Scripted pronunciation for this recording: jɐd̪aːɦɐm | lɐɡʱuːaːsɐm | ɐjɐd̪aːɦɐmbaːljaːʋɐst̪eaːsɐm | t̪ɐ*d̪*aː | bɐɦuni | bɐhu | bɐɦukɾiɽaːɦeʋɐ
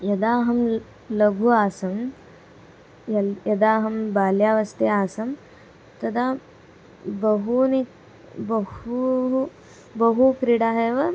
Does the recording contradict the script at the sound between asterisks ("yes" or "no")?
no